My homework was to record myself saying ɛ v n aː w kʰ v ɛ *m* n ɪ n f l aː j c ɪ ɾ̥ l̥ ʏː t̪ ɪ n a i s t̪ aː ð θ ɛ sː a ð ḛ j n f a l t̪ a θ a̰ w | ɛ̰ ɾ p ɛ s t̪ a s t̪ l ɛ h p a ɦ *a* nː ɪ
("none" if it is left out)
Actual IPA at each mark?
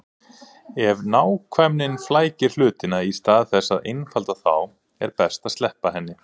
m, ɛ

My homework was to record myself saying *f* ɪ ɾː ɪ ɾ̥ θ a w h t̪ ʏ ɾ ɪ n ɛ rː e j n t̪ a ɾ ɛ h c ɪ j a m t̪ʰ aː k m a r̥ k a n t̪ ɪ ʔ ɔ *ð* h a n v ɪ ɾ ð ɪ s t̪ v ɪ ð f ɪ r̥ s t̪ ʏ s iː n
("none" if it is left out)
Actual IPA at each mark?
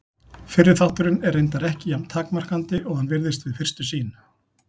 f, ɣ

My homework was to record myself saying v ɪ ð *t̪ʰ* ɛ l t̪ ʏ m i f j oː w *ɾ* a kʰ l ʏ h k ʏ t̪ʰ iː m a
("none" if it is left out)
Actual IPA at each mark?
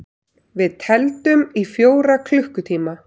t̪ʰ, ɾ

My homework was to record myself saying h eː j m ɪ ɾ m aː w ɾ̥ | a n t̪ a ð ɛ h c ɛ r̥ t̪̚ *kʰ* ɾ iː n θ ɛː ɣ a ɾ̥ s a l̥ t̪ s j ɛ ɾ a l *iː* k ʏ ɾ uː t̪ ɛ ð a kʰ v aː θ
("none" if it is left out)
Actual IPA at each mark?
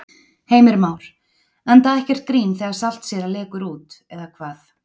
k, ɛː

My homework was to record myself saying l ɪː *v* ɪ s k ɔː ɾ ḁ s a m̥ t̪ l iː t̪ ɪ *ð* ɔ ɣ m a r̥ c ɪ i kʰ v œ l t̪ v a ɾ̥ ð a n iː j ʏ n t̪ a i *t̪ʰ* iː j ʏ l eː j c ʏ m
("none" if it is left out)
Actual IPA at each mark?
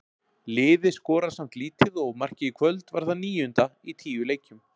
ð, ð, t̪ʰ

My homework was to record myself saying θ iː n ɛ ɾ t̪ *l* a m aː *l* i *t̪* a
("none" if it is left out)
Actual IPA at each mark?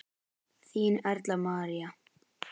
l, ɾ, none

